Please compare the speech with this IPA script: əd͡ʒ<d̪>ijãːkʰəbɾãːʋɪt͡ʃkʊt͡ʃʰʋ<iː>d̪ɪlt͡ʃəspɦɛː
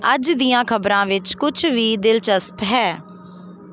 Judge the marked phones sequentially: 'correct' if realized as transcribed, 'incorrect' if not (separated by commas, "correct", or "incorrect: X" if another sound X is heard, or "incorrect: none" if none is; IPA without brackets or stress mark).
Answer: correct, correct